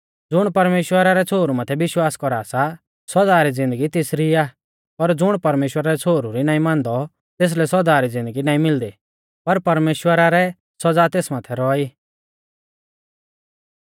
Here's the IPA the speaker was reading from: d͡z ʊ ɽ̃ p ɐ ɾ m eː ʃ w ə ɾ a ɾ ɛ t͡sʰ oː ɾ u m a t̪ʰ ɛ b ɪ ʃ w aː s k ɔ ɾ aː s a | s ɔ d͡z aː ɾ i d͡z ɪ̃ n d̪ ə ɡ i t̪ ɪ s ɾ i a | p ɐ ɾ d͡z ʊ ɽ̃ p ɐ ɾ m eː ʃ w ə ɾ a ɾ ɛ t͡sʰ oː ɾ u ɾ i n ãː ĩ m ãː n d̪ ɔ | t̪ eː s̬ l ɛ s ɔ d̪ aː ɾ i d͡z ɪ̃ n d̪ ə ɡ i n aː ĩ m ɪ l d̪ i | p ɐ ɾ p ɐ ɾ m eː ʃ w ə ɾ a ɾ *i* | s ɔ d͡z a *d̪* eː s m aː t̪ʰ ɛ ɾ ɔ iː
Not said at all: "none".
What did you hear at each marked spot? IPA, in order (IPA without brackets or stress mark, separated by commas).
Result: ɛ, t̪